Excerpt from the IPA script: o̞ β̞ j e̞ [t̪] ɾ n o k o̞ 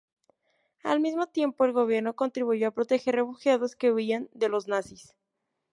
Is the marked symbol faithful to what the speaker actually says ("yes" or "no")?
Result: no